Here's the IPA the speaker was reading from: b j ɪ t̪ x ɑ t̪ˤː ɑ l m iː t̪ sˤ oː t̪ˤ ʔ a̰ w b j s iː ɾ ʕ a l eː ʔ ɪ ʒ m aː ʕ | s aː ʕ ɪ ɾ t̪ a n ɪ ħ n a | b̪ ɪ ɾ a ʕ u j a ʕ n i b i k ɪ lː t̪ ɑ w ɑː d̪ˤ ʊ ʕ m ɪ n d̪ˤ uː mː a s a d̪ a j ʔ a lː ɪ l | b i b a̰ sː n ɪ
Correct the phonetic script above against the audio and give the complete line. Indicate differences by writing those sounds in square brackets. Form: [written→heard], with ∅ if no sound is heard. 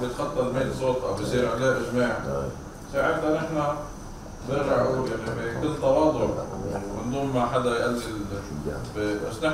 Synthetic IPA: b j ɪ t̪ x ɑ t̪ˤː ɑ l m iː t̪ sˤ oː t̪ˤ ʔ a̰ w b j s iː ɾ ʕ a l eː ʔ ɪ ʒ m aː ʕ | s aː ʕ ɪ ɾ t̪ a n ɪ ħ n a | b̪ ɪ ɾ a ʕ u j a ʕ n i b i k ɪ lː t̪ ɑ w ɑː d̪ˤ ʊ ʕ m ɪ n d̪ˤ uː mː a [s→ħ] a d̪ a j ʔ a lː ɪ l | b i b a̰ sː n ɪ